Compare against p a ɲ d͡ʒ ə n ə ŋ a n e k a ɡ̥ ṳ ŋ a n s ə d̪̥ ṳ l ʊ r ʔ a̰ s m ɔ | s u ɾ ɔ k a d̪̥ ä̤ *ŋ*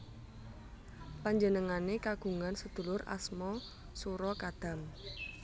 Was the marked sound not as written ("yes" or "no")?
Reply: yes